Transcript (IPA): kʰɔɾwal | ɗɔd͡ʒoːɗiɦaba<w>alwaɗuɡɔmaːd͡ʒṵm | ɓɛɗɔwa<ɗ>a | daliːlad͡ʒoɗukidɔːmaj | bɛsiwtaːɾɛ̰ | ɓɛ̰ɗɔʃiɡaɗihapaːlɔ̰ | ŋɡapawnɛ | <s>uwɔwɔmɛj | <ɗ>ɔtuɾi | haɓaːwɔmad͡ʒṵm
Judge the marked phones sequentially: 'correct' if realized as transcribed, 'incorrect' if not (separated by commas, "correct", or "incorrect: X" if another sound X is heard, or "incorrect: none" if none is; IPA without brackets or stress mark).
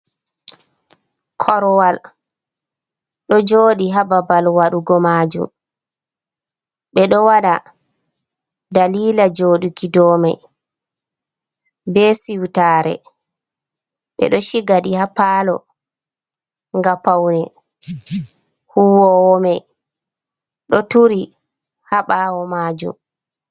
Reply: incorrect: b, correct, incorrect: h, correct